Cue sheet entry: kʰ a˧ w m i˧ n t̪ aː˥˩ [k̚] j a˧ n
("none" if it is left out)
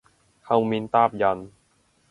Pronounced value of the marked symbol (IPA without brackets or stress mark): p̚